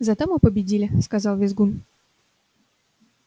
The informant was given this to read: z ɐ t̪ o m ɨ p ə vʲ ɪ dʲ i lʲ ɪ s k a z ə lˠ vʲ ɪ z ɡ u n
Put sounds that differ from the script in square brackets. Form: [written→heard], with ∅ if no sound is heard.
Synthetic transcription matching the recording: z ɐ t̪ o m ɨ p ə [vʲ→bʲ] ɪ dʲ i lʲ ɪ s k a z [ə→ɑ] lˠ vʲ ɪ z ɡ u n